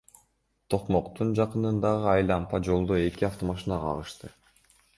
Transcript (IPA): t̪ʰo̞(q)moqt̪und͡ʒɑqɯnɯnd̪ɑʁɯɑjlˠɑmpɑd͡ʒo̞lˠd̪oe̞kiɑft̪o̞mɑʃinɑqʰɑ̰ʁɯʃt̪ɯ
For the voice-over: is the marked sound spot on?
yes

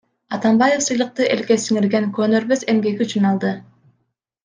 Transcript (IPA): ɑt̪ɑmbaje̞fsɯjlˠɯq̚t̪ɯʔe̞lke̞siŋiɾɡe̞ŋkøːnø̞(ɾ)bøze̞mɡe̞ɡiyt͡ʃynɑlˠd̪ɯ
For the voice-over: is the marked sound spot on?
yes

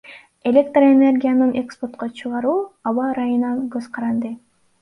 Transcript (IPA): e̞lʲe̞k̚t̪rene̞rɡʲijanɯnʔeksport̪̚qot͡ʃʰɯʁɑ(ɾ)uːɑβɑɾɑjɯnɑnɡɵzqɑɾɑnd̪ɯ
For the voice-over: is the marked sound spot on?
yes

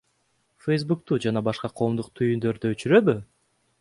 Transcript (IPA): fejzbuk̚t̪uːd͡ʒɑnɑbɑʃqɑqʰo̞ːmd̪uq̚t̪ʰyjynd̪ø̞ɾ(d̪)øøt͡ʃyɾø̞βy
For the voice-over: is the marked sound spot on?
yes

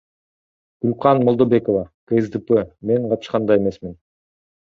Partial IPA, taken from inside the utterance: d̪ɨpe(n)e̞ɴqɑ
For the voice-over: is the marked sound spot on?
no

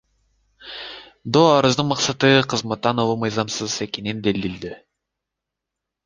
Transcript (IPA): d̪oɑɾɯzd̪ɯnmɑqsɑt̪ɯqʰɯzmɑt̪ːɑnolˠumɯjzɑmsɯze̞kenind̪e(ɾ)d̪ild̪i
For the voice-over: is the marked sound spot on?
no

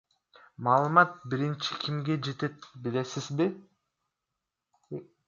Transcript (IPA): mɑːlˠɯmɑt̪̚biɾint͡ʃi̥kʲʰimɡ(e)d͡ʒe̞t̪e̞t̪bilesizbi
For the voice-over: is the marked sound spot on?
yes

